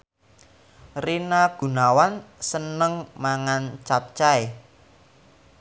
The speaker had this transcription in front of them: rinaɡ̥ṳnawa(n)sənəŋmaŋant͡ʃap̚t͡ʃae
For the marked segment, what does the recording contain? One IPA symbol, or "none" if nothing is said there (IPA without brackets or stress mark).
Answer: n